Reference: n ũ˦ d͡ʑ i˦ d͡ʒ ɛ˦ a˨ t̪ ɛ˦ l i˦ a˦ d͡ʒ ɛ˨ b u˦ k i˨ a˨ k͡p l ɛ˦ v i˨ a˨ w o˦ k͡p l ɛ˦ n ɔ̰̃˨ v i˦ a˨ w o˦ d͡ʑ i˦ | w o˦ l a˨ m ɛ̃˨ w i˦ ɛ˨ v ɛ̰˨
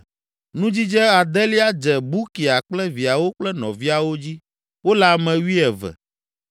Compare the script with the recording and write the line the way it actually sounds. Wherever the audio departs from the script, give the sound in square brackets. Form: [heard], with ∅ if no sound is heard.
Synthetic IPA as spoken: n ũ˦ d͡ʑ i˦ d͡ʒ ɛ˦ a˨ [d̪] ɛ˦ l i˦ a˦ d͡ʒ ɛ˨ b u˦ k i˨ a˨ k͡p l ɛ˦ v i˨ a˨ w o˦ k͡p l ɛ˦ n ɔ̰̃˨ v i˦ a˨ w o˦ d͡ʑ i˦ | w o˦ l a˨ m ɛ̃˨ w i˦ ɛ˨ v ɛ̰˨